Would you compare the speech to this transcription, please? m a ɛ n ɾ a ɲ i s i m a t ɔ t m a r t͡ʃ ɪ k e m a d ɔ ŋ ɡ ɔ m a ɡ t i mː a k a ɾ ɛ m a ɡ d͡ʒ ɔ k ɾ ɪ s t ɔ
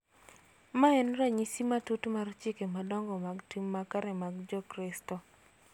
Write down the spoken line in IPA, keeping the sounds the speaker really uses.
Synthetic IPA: m a ɛ n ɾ a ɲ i s i m a t u t m a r t͡ʃ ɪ k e m a d ɔ ŋ ɡ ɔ m a ɡ t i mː a k a ɾ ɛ m a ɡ d͡ʒ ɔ k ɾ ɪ s t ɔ